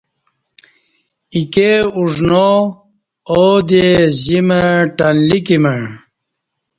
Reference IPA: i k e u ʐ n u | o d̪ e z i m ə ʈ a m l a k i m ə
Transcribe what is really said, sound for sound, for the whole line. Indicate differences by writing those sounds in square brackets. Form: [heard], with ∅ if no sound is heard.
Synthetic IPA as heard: i k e u ʐ n [o] | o d̪ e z i m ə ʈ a [n] l [i] k i m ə